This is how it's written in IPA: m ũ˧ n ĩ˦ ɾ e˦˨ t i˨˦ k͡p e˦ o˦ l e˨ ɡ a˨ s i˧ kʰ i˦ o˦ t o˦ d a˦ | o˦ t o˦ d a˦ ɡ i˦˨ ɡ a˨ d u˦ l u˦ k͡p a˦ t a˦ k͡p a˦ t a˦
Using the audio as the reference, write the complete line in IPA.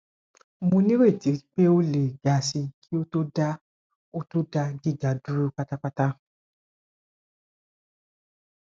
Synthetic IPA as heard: m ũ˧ n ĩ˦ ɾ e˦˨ t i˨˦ k͡p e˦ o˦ l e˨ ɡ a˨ s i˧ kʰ i˦ o˦ t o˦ d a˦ | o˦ t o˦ d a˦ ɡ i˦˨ ɡ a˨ d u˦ ɾ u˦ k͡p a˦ t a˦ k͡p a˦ t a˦